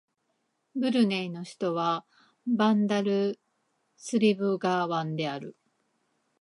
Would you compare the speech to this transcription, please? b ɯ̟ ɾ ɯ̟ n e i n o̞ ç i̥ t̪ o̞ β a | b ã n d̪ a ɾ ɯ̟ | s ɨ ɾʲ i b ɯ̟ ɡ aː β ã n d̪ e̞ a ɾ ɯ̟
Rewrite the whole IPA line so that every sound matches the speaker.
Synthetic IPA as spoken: b ɯ̟ ɾ ɯ̟ n e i n o̞ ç i̥ t̪ o̞ β a | b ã n d̪ a ɾ ɯ̟ | s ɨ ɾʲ i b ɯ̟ ɡ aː β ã n d̪ e̞ a ɾ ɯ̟